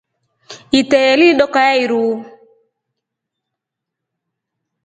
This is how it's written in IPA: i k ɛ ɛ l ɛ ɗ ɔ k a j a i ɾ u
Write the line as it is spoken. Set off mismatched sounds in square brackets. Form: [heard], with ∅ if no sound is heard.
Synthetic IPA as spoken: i [t] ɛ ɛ l [i] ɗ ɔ k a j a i ɾ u